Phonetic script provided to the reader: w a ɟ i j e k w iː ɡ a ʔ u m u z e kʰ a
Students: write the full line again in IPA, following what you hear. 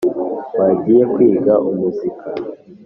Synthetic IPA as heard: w a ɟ i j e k w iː ɡ a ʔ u m u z i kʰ a